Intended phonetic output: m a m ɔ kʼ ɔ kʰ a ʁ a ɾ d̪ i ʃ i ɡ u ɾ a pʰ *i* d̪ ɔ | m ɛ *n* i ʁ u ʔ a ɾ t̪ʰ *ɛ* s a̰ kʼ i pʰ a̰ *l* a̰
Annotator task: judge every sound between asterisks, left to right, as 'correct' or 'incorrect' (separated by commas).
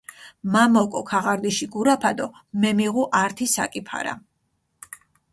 incorrect, incorrect, incorrect, incorrect